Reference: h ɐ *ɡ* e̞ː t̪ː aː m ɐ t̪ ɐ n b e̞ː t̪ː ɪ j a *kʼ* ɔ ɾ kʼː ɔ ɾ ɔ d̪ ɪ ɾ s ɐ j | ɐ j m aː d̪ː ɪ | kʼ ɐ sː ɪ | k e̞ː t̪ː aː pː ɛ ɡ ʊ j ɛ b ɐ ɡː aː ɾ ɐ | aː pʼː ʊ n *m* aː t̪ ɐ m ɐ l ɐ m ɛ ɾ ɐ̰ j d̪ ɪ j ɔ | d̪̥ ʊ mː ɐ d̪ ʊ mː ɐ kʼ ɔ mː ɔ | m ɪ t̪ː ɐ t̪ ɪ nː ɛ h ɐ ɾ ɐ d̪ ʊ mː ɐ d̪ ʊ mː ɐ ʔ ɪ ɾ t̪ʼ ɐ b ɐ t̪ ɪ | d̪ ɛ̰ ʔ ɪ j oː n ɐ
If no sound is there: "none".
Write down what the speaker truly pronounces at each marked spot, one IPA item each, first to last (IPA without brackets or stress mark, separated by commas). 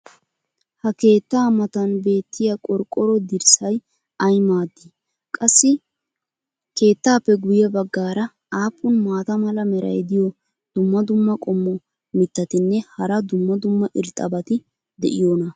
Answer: k, kʼ, m